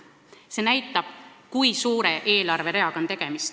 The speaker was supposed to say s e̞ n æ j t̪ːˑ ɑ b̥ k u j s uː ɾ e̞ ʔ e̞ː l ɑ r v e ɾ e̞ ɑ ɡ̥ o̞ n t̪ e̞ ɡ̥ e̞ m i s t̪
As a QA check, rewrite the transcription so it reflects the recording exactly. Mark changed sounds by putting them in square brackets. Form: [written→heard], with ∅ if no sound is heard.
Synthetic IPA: s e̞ n æ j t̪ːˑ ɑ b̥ k u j s uː ɾ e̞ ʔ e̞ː l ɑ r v e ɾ e̞ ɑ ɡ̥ o̞ n t̪ e̞ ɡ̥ e̞ m i s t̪